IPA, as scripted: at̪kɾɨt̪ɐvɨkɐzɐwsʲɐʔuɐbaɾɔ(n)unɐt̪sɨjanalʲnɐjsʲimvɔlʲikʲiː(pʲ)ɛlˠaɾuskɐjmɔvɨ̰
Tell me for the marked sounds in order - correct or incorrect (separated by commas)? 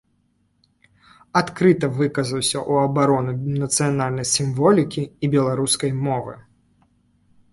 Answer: correct, incorrect